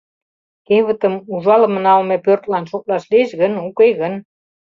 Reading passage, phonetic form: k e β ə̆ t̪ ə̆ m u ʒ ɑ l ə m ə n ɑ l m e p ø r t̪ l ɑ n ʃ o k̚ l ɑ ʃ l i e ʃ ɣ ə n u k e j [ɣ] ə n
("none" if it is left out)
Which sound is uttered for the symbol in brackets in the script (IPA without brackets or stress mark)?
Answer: ɣ